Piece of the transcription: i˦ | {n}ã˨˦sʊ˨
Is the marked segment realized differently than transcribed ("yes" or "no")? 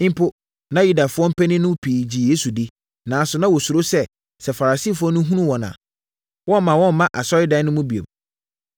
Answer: no